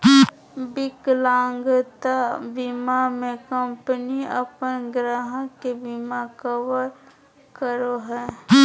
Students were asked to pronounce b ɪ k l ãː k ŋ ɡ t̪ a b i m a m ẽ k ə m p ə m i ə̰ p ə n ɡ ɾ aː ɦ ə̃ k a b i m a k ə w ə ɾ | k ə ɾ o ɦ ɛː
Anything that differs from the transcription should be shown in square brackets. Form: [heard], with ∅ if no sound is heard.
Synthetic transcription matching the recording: b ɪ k l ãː [∅] ŋ ɡ t̪ a b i m a m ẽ k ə m p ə [n] i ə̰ p ə n ɡ ɾ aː ɦ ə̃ k [e] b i m a k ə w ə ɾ | k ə ɾ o ɦ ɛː